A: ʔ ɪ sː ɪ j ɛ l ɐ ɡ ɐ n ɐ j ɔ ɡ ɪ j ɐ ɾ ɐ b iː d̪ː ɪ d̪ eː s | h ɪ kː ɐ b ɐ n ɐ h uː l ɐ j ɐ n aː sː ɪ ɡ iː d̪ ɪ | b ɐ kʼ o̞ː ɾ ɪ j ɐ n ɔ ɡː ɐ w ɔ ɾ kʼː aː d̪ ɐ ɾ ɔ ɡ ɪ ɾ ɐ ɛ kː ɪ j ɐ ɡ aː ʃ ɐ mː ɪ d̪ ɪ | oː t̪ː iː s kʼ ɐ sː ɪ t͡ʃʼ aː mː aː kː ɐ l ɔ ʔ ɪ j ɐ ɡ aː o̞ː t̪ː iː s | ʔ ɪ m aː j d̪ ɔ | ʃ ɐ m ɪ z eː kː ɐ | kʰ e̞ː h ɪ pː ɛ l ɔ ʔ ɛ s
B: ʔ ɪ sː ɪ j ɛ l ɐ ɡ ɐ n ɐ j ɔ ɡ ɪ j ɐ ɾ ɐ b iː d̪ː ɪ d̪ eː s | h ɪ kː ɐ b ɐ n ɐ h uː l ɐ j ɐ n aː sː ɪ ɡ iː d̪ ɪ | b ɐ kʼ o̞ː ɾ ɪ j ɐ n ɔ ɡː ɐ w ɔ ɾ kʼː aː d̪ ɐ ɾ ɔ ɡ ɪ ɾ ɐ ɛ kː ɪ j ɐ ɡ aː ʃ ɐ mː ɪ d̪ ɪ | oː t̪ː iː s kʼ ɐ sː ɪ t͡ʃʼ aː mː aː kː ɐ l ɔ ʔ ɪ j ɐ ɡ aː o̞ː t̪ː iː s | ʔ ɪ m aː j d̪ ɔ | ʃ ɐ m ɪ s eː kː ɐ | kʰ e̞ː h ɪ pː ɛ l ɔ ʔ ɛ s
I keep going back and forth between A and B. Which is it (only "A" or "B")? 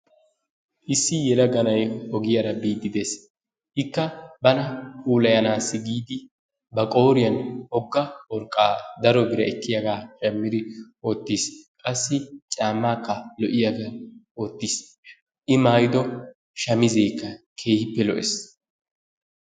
A